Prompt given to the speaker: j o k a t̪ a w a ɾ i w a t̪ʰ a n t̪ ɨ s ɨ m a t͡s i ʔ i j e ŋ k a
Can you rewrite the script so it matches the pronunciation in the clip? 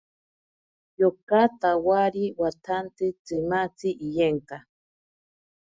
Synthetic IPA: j o k a t̪ a w a ɾ i w a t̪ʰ a n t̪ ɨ t͡s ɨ m a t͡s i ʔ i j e ŋ k a